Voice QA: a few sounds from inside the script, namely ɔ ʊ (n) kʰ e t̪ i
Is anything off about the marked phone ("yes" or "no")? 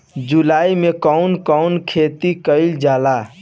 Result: no